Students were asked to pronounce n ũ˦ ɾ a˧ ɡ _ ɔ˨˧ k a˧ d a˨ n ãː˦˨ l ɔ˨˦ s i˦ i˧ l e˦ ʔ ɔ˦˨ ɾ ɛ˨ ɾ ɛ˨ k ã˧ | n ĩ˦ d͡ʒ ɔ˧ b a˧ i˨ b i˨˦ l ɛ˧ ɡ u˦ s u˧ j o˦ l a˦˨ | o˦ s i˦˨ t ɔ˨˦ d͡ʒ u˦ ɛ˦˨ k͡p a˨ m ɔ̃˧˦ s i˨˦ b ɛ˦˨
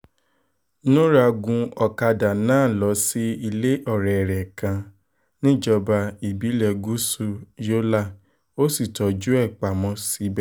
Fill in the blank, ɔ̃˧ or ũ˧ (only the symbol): ũ˧